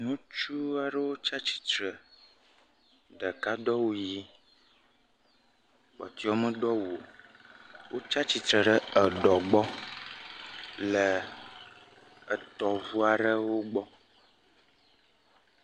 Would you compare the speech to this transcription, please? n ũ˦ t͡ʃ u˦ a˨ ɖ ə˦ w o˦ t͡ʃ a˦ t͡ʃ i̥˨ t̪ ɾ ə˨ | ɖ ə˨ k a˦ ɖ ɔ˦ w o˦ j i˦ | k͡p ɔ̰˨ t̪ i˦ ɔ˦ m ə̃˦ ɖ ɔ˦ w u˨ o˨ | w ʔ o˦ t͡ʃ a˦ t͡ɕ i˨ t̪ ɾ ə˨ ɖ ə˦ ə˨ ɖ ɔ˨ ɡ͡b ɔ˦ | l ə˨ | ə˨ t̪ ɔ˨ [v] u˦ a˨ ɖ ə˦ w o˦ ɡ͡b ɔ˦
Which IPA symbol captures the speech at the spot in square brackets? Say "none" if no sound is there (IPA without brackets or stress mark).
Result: v